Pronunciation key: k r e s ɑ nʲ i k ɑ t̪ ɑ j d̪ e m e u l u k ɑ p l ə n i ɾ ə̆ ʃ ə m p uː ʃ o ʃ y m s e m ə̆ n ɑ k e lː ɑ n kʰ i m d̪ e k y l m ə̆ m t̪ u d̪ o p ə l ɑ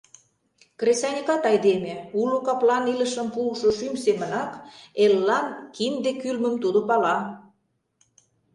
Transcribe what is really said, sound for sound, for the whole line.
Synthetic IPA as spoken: k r e s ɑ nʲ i k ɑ t̪ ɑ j d̪ e m e u l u k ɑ p l ɑ n i l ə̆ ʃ ə m p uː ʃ o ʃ y m s e m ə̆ n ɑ k e lː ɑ n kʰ i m d̪ e k y l m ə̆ m t̪ u d̪ o p ɑ l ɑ